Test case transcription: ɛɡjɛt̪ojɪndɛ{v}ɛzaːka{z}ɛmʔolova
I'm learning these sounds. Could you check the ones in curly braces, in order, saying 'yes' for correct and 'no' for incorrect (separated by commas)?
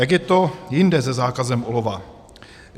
no, yes